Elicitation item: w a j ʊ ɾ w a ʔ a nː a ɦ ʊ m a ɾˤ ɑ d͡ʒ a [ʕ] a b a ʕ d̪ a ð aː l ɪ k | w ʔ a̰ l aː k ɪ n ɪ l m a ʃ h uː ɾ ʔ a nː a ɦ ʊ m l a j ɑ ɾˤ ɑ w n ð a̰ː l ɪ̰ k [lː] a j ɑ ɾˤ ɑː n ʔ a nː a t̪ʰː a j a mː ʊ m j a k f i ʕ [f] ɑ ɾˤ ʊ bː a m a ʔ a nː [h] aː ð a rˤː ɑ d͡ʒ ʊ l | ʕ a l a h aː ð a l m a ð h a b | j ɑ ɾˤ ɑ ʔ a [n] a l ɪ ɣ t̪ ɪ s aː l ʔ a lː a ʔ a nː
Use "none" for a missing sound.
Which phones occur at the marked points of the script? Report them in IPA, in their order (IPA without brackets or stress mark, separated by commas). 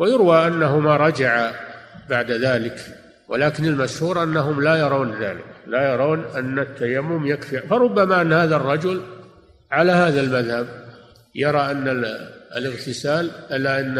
ʕ, l, f, h, nː